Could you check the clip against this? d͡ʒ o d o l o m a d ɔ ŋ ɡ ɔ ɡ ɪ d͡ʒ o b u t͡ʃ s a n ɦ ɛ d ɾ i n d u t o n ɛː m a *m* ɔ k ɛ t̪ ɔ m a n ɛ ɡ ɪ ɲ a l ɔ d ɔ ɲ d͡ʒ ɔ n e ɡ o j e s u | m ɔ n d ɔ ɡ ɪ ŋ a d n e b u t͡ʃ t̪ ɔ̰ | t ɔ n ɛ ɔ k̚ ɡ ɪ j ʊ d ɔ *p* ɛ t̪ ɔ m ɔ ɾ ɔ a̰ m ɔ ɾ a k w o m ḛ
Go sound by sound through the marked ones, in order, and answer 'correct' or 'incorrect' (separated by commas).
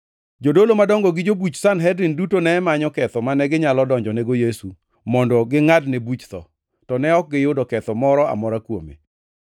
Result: incorrect, incorrect